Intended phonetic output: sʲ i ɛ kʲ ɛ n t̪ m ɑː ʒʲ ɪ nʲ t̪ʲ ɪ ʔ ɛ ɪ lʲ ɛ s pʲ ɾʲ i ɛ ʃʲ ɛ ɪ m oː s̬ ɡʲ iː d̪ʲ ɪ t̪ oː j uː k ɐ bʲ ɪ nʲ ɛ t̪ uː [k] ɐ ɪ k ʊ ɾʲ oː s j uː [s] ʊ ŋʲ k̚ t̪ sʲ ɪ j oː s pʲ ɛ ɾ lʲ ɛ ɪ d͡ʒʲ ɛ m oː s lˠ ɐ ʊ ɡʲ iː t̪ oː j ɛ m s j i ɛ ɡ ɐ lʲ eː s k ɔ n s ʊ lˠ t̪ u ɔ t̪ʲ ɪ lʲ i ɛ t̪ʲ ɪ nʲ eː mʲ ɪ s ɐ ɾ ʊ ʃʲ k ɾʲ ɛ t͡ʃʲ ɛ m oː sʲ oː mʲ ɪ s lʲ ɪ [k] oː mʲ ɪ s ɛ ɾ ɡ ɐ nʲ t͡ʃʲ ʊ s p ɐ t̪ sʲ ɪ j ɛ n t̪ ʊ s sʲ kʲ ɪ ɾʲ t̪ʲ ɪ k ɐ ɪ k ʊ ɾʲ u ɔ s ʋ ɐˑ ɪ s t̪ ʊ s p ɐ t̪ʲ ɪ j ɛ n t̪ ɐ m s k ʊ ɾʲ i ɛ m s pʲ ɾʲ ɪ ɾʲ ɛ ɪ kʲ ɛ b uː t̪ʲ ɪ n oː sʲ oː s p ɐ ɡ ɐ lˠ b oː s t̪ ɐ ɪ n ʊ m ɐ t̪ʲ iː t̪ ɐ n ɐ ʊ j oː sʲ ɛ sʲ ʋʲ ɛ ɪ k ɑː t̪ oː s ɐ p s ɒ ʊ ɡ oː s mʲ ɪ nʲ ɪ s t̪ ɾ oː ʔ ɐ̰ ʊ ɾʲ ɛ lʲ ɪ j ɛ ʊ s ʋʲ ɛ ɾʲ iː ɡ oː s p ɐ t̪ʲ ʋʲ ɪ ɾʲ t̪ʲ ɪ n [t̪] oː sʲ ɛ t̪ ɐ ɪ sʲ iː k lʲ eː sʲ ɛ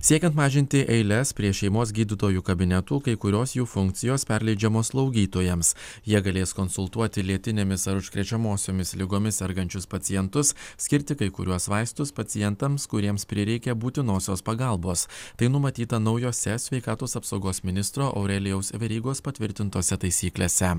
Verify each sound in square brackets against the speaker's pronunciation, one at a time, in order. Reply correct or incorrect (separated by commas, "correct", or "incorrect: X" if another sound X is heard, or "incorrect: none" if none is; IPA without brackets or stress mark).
correct, incorrect: f, incorrect: ɡ, correct